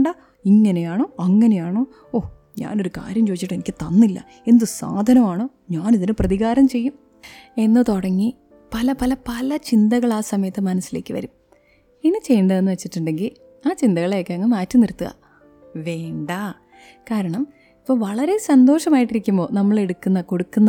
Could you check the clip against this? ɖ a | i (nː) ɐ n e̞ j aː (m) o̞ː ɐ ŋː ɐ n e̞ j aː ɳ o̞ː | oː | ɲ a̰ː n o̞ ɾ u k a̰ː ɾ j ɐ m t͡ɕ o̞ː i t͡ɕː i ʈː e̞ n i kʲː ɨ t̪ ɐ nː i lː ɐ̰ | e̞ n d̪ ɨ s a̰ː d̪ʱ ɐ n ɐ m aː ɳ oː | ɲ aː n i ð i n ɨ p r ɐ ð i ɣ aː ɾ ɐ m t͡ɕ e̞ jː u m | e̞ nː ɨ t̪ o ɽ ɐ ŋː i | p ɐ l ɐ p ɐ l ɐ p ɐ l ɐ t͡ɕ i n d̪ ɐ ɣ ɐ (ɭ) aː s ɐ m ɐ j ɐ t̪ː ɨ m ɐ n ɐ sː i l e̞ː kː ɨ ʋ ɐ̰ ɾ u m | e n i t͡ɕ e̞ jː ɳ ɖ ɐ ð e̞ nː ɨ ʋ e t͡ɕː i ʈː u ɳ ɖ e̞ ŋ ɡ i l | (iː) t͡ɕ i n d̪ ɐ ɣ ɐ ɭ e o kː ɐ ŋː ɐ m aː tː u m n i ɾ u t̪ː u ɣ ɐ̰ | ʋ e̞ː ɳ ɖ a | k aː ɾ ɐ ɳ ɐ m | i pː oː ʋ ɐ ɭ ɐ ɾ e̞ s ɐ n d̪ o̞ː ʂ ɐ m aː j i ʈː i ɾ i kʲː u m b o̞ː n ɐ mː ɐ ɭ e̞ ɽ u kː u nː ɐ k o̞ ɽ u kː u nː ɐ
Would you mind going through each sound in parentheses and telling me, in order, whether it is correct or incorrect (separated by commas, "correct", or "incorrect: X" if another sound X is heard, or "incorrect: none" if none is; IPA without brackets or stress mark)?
incorrect: ŋː, incorrect: ɳ, correct, incorrect: aː